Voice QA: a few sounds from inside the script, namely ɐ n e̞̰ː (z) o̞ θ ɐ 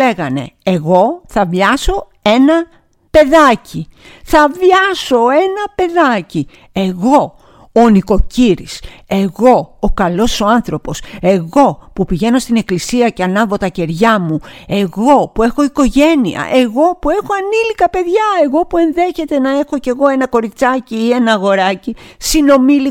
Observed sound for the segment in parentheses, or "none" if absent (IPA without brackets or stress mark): ɣ